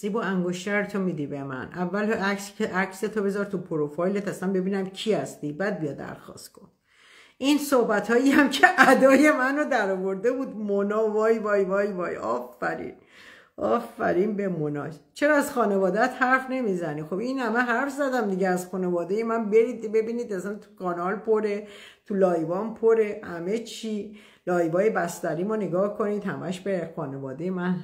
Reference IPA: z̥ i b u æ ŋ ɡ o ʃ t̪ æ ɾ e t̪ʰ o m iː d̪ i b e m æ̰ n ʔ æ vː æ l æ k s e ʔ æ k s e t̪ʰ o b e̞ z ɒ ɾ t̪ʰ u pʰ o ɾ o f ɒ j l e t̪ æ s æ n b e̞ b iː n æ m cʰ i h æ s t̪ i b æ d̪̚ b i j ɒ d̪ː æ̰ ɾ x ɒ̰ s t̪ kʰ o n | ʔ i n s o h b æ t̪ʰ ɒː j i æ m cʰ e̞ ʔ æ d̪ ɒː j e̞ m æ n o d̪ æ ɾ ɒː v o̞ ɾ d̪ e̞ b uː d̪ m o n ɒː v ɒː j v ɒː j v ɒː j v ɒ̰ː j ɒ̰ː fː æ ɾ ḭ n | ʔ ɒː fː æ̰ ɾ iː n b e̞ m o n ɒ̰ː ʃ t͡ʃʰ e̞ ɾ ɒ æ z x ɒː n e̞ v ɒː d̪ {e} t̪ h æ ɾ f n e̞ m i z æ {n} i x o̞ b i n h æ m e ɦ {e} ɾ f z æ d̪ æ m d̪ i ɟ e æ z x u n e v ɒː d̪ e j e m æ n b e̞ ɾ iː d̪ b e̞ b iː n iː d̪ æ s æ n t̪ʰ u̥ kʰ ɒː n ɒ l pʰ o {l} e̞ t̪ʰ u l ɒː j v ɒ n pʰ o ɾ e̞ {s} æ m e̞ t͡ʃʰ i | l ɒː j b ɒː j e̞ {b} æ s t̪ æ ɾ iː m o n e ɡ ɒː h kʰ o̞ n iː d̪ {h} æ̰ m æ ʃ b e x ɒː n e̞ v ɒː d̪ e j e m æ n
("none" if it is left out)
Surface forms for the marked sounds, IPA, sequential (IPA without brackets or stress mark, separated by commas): æ, n, æ, ɾ, h, b, h